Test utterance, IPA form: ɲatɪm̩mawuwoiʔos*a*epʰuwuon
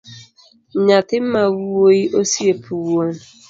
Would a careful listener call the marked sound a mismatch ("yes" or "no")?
yes